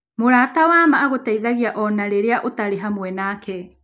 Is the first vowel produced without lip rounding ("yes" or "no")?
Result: no